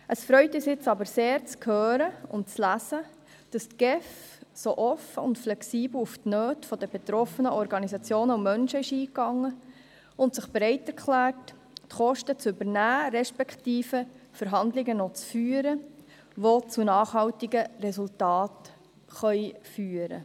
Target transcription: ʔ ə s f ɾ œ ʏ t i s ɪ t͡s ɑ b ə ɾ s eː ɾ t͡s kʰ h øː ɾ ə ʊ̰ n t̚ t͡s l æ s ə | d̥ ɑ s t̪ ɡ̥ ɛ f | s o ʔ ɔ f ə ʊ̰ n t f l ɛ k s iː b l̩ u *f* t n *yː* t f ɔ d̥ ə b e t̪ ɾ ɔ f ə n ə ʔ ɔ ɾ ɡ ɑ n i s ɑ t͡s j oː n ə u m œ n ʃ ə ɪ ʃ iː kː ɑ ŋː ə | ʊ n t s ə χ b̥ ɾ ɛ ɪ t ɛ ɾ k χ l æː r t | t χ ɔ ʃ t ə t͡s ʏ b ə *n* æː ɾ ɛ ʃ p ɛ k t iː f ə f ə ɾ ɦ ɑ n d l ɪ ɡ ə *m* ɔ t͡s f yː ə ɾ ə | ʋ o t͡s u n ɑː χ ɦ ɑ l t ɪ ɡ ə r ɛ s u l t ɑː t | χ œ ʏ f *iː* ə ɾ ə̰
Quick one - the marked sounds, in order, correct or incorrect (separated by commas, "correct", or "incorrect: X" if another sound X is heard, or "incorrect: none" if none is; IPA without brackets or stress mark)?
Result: correct, incorrect: øː, correct, incorrect: n, incorrect: yː